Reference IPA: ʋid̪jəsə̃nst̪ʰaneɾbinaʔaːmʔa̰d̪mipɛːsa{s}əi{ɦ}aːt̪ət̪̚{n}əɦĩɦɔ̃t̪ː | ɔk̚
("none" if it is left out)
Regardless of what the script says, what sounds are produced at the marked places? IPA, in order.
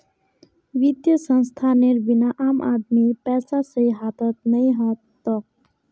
s, ɦ, n

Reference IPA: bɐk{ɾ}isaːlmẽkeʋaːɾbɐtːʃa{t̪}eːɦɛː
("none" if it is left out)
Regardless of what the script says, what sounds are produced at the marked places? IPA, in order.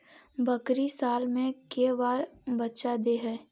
ɾ, d̪

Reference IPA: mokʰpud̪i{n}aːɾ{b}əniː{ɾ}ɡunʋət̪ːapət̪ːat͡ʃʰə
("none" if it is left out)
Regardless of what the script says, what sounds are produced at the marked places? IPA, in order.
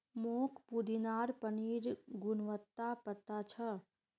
n, p, ɾ

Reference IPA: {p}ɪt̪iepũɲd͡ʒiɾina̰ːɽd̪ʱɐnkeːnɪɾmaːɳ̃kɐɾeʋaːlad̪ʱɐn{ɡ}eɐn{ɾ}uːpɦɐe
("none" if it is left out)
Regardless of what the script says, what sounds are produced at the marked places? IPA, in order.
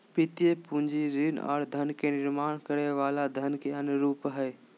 p, k, ɾ

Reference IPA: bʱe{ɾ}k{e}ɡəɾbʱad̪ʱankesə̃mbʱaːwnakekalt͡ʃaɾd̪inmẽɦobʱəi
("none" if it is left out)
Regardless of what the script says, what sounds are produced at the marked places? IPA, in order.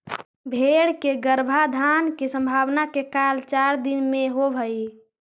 ɽ, e

